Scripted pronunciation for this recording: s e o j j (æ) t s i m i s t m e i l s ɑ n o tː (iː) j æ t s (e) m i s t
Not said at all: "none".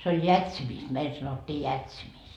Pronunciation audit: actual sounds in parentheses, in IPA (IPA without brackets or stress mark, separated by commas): æ, iː, i